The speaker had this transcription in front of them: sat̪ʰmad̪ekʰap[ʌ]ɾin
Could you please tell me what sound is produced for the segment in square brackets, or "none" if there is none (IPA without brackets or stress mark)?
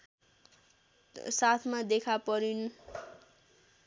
ʌ